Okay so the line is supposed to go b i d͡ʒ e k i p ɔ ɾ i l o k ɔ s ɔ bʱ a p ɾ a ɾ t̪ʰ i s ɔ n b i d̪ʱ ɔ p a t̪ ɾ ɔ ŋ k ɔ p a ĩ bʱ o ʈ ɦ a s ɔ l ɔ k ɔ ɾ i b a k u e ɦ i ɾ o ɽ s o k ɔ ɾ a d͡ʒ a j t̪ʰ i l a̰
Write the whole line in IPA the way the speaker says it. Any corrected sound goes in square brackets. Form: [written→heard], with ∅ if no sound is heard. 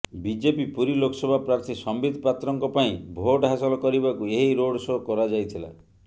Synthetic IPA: b i d͡ʒ e [k→p] i p [ɔ→u] ɾ i l o k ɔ s ɔ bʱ a p ɾ a ɾ t̪ʰ i s ɔ [n→m] b i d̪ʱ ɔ p a t̪ ɾ ɔ ŋ k ɔ p a ĩ bʱ o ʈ ɦ a s ɔ l ɔ k ɔ ɾ i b a k u e ɦ i ɾ o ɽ s o k ɔ ɾ a d͡ʒ a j t̪ʰ i l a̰